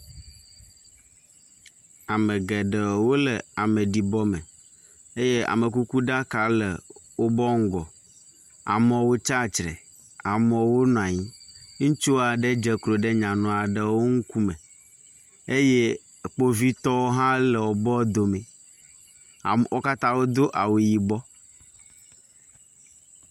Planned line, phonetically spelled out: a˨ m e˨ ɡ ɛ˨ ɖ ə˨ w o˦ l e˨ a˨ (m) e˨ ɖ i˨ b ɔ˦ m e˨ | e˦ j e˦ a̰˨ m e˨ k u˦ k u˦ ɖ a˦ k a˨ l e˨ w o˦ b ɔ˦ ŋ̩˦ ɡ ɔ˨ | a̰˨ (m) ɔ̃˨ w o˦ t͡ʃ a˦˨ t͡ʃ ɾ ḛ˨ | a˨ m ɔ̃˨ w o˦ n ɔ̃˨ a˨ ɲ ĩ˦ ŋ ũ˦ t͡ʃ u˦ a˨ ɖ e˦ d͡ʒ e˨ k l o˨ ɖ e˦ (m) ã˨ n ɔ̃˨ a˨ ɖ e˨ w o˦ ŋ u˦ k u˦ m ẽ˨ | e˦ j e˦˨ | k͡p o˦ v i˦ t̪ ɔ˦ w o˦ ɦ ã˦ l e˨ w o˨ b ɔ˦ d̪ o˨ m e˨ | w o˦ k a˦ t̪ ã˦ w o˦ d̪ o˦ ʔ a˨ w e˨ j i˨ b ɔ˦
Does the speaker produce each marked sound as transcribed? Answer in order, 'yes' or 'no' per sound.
yes, yes, no

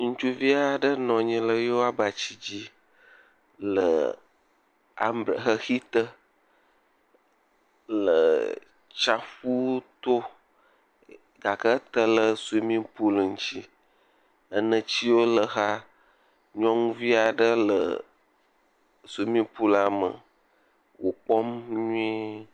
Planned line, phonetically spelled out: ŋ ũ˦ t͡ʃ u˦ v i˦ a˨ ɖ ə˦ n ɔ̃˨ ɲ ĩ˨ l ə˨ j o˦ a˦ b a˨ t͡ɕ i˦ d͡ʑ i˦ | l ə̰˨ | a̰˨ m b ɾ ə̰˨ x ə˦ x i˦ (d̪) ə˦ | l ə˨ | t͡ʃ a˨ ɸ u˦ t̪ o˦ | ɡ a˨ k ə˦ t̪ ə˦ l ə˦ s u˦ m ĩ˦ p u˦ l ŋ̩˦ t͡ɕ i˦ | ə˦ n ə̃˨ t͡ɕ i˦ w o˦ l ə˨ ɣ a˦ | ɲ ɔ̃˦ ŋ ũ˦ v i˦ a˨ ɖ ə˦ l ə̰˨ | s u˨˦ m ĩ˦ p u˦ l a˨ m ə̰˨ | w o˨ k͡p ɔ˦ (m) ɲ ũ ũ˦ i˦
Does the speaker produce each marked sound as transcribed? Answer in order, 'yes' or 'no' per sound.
no, yes

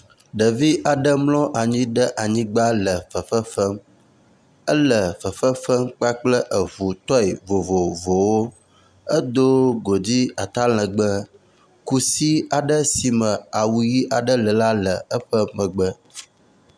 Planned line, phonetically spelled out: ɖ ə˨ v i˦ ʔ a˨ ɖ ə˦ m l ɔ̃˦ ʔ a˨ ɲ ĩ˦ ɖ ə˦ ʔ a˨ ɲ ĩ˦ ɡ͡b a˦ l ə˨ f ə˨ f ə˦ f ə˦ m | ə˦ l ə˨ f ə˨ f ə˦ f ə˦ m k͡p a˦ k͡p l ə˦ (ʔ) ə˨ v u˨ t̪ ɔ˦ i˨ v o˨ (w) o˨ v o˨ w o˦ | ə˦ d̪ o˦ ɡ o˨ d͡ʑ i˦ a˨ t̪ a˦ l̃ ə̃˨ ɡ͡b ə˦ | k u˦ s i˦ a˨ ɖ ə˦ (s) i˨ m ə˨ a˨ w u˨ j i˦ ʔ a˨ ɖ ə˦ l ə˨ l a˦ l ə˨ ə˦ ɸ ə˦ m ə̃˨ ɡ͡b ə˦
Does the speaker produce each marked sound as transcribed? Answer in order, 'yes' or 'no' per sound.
yes, no, yes

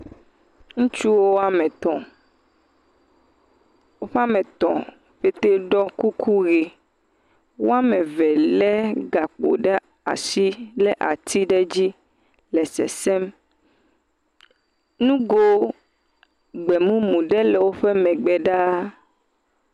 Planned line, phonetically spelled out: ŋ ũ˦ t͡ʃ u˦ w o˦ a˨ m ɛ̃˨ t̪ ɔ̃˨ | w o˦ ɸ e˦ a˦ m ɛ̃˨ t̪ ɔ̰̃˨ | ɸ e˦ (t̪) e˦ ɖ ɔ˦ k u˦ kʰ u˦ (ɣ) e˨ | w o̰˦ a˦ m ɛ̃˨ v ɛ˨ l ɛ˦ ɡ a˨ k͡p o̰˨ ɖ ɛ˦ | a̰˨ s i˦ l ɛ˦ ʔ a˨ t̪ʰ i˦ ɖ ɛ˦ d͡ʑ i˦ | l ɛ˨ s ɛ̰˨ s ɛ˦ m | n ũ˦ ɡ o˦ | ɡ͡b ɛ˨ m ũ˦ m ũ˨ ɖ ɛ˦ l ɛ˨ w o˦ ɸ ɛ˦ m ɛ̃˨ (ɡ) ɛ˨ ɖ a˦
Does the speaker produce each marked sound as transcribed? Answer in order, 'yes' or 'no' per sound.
yes, yes, no

